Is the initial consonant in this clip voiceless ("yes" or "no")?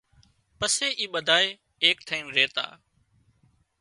yes